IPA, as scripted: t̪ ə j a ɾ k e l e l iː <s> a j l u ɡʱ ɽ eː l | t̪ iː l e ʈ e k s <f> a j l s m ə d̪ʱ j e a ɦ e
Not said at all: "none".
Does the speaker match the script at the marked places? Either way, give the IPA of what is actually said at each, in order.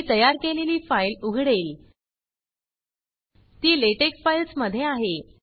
f, f

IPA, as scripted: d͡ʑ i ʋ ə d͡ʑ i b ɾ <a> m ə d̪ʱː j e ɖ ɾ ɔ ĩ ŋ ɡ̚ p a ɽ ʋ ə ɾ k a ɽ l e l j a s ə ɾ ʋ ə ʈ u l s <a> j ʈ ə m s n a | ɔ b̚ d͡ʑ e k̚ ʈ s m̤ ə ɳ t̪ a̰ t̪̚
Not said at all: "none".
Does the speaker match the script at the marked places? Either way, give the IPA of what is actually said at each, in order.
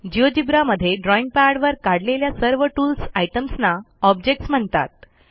a, a

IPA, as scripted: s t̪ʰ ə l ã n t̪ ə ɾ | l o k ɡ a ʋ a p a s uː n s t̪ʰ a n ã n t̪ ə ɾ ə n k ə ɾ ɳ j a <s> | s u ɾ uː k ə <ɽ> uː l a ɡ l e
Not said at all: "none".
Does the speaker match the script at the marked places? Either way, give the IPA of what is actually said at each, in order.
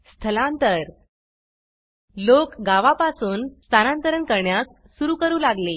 s, ɾ

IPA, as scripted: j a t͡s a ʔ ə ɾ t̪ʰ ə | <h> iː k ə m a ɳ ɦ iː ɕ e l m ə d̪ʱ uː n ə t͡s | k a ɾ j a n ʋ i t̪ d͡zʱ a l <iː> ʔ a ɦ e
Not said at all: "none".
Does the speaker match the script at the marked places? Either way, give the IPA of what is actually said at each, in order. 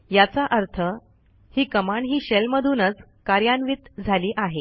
h, iː

